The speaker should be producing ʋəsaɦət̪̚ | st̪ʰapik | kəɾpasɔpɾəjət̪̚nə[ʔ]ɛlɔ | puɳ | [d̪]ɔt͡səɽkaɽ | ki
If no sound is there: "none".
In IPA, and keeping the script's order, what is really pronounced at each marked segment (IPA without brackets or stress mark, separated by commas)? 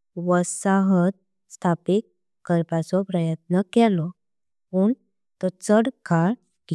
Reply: k, t̪